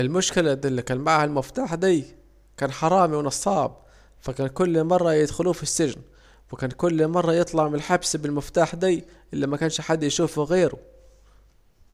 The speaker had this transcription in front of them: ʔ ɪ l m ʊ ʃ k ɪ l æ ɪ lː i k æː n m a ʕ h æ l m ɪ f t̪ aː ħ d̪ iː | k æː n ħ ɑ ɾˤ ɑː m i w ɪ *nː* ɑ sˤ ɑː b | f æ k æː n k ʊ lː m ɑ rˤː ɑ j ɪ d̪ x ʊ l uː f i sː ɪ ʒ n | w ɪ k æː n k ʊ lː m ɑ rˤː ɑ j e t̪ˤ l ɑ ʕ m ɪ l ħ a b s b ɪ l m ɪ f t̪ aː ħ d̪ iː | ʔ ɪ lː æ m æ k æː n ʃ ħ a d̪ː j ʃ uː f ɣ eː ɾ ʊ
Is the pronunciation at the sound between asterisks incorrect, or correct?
incorrect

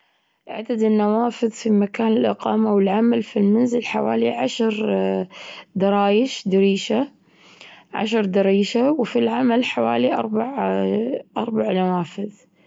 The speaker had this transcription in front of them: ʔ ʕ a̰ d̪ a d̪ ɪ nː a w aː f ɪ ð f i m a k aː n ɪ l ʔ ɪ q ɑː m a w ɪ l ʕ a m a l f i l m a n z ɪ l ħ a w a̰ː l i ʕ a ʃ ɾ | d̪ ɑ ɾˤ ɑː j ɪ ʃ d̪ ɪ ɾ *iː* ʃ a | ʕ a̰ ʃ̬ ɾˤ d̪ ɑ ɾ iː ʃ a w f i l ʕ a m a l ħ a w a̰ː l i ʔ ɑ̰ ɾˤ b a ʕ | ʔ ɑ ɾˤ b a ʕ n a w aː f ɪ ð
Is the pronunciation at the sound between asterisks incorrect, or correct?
correct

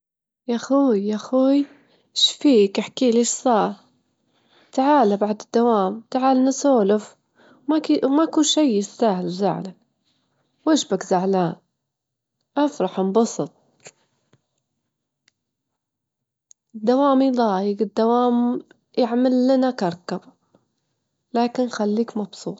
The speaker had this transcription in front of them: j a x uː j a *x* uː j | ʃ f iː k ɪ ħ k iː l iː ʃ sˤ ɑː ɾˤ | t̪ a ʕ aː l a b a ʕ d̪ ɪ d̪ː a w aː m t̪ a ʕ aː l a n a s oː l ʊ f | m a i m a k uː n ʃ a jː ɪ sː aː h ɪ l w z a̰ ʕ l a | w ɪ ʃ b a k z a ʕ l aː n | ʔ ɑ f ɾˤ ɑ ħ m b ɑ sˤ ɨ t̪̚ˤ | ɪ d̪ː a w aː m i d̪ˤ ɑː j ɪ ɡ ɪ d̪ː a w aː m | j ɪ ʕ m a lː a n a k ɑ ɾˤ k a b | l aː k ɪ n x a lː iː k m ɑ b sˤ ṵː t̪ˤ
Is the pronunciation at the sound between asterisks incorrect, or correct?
correct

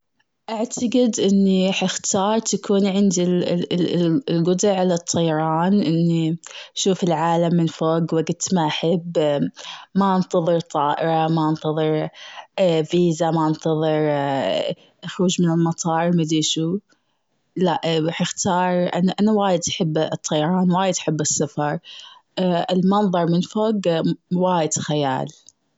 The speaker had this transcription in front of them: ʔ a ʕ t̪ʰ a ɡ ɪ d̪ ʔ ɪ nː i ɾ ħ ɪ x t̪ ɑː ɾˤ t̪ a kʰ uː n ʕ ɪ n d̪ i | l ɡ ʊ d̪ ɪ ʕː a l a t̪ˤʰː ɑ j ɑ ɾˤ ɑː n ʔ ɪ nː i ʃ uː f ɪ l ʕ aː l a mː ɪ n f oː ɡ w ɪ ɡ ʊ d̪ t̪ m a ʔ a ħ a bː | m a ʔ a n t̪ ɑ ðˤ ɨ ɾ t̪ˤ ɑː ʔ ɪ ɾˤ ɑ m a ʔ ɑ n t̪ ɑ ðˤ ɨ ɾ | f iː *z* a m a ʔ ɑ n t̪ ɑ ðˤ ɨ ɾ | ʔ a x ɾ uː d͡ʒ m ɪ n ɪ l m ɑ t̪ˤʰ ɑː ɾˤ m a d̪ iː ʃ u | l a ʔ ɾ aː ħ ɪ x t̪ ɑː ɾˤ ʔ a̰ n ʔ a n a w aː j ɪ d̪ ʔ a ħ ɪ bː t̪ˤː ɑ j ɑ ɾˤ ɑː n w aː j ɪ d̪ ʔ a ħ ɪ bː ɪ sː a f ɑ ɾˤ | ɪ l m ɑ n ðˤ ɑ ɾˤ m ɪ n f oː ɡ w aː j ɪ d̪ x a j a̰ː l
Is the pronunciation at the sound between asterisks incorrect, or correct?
correct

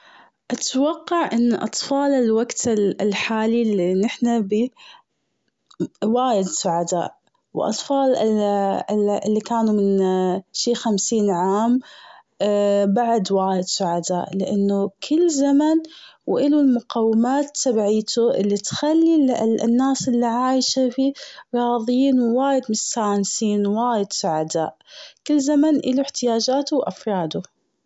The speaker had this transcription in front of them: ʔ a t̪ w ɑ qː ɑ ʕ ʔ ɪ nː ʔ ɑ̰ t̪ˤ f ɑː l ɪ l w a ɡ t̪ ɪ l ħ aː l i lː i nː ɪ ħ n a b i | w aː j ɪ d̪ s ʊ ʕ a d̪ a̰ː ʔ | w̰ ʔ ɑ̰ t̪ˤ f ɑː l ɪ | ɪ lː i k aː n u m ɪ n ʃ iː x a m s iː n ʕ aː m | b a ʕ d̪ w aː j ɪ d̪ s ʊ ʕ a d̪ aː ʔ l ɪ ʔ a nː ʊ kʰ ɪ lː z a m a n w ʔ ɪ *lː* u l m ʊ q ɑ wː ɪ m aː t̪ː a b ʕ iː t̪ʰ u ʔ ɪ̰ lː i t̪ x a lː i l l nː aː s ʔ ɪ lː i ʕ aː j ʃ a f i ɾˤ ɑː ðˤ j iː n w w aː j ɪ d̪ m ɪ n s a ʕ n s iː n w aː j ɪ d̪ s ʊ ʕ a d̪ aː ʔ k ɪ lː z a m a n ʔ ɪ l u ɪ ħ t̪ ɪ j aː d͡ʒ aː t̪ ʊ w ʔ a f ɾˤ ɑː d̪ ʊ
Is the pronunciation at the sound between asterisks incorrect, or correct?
incorrect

